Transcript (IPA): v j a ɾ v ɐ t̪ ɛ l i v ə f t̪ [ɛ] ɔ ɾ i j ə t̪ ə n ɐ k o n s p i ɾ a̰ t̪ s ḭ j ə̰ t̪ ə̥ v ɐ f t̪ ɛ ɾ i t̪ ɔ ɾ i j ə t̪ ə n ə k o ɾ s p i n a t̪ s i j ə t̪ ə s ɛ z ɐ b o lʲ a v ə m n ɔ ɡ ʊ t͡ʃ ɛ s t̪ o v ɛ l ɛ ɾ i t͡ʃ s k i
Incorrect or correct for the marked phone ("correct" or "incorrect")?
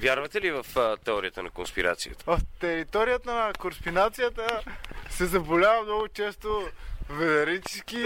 correct